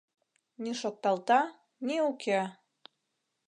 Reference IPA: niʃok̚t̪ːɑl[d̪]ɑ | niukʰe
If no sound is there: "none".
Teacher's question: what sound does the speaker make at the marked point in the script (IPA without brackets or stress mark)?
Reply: t̪